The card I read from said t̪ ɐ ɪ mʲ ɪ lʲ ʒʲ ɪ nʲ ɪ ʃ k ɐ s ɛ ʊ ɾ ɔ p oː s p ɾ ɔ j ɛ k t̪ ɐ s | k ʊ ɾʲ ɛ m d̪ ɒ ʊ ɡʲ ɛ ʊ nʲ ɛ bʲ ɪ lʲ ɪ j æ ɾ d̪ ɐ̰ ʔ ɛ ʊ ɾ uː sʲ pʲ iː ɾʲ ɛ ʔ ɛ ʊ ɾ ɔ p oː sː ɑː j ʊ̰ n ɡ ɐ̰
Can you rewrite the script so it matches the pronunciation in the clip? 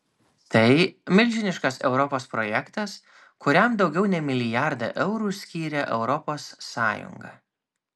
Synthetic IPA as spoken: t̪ ɐ ɪ mʲ ɪ lʲ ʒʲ ɪ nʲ ɪ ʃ k ɐ s ɛ ʊ ɾ ɔ p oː s p ɾ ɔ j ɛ k t̪ ɐ s | k ʊ ɾʲ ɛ m d̪ ɒ ʊ ɡʲ ɛ ʊ nʲ ɛ mʲ ɪ lʲ ɪ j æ ɾ d̪ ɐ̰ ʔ ɛ ʊ ɾ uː sʲ kʲ iː ɾʲ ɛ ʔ ɛ ʊ ɾ ɔ p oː sː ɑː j ʊ̰ ŋ ɡ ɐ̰